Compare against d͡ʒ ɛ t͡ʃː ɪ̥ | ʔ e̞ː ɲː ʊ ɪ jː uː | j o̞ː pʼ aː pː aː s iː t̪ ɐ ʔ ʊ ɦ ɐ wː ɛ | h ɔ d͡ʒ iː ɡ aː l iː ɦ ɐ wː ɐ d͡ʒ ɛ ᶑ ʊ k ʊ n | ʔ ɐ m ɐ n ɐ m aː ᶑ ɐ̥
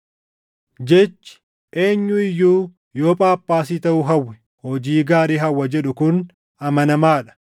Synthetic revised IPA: d͡ʒ ɛ t͡ʃː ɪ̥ | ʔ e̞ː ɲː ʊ ɪ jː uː | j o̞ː pʼ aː pː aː s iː t̪ ɐ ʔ ʊ ɦ ɐ wː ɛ | h ɔ d͡ʒ iː ɡ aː ɾ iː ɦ ɐ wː ɐ d͡ʒ ɛ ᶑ ʊ k ʊ n | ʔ ɐ m ɐ n ɐ m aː ᶑ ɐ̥